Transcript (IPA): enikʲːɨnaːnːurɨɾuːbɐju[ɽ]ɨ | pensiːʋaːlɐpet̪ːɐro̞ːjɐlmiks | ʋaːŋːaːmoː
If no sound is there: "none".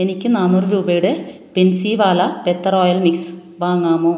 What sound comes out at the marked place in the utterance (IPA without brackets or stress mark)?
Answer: ɽ